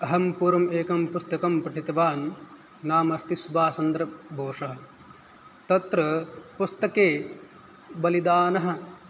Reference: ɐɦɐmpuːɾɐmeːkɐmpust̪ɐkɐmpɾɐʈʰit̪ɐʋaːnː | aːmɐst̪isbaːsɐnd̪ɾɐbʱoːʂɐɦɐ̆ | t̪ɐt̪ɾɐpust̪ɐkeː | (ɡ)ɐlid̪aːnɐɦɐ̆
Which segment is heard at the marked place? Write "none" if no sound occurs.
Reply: b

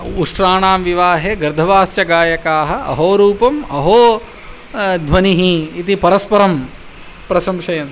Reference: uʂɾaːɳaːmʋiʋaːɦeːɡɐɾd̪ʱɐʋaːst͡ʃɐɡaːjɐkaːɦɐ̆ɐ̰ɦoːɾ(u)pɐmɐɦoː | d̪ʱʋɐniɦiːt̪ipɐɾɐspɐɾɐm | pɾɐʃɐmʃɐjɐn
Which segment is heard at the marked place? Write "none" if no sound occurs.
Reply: uː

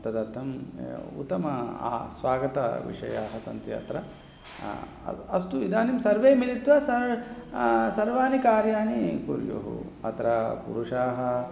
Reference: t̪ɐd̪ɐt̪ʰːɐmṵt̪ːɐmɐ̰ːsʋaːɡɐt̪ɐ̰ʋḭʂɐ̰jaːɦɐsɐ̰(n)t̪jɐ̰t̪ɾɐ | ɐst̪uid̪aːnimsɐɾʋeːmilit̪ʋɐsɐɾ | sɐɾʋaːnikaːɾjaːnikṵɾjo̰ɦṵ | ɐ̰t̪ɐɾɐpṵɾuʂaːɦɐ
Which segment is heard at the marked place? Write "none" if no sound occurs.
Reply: n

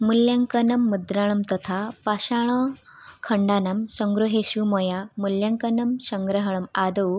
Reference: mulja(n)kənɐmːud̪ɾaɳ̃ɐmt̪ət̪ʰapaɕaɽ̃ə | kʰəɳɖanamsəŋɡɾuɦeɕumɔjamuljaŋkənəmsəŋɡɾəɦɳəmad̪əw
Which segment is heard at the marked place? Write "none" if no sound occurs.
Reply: ŋ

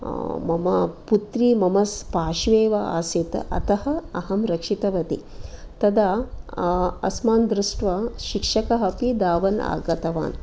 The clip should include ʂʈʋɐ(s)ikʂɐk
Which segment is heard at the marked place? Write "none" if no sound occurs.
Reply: ʃ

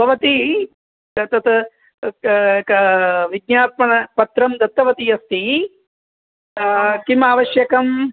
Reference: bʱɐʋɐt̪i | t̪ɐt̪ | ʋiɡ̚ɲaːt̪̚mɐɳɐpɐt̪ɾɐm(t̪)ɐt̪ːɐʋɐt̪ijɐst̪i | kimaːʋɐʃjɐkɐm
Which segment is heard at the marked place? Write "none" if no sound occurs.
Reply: d̪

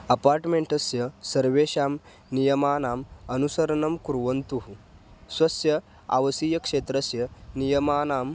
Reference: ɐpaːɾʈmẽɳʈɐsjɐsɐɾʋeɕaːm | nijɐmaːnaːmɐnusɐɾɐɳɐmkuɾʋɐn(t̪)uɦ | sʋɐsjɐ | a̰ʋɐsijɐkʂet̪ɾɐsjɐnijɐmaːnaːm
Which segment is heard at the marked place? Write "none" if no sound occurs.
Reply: t̪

